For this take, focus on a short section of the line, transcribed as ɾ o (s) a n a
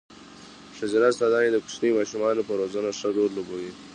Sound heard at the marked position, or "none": z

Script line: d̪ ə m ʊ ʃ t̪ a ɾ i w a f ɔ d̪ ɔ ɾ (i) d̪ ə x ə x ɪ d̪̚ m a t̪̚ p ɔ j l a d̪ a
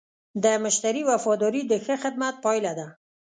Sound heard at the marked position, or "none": i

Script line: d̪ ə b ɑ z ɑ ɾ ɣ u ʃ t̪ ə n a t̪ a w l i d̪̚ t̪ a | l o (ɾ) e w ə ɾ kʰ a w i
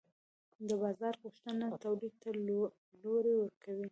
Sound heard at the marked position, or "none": ɾ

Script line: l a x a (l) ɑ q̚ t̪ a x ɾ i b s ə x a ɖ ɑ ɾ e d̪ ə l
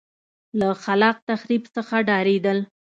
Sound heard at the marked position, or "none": l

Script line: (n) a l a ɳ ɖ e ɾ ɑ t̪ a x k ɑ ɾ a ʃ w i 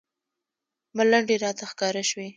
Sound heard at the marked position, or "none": m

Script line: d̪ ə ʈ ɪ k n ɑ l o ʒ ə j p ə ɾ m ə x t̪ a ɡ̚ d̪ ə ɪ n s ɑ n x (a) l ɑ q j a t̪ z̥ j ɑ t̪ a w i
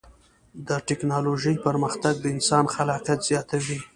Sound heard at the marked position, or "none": a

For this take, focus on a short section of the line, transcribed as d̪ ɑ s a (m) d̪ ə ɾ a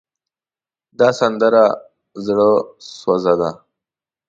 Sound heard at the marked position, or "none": n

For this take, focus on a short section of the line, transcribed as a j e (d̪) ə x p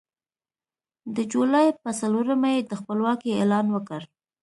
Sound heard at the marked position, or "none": d̪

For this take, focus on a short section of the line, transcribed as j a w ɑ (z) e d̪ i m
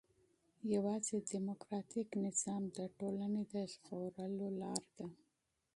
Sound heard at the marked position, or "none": z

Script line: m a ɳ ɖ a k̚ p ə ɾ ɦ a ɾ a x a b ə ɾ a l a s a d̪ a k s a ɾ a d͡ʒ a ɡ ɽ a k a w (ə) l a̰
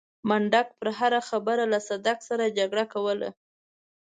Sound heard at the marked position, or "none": ə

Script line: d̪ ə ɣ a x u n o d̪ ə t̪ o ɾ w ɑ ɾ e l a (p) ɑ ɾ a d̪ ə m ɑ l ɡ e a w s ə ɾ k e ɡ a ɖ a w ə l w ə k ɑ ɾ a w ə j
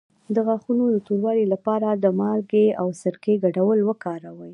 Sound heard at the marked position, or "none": p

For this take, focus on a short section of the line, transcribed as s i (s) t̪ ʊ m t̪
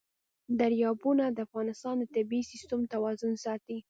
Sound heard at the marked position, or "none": s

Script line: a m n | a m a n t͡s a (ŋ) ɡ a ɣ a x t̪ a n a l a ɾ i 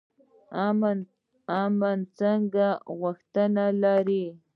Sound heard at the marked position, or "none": ŋ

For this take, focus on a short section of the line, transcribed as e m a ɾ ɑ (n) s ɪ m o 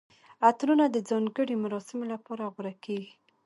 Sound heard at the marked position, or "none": none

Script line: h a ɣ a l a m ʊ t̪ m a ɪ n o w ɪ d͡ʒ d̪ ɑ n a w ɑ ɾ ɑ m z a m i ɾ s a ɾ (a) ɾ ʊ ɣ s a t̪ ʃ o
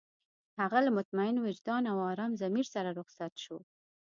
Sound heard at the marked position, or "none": a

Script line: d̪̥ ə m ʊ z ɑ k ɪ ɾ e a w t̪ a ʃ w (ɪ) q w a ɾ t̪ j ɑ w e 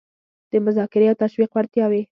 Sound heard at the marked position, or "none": i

